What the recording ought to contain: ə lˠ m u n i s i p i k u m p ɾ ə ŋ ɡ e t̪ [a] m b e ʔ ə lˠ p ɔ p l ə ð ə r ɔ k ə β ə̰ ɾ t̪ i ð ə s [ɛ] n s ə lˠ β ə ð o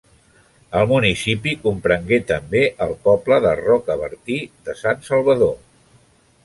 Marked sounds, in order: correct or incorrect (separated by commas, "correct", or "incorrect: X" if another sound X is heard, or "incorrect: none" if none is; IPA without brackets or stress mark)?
incorrect: ə, incorrect: a